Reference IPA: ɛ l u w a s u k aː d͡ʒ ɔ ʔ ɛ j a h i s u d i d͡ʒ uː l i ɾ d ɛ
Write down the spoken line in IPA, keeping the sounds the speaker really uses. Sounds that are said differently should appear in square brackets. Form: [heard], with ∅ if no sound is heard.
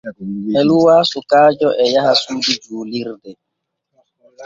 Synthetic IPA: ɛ l u w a s u k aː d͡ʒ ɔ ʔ ɛ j a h [a] s u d i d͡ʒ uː l i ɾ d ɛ